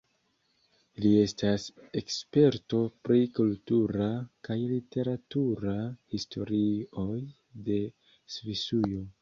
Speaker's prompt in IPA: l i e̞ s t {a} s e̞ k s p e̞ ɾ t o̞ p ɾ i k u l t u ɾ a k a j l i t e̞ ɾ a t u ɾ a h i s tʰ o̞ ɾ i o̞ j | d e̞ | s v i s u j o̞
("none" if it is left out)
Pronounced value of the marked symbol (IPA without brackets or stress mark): a